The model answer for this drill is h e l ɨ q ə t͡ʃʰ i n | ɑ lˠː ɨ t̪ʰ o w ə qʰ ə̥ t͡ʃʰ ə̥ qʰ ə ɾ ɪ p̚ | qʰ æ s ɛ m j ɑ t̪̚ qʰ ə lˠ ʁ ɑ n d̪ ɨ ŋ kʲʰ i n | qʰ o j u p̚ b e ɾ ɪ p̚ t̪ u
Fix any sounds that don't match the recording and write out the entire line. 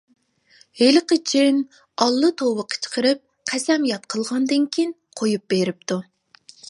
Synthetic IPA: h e l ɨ q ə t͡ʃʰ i n | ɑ lˠː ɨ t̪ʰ o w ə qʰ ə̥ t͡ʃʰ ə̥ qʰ ə ɾ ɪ p̚ | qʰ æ s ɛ m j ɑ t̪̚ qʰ ə lˠ ʁ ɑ n d̪ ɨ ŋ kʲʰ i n | qʰ o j u p̚ b e ɾ ɪ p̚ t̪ u